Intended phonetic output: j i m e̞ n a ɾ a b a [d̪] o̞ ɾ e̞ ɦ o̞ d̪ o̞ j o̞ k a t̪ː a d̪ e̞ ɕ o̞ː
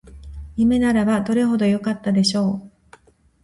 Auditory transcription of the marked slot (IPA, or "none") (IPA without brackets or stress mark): d̪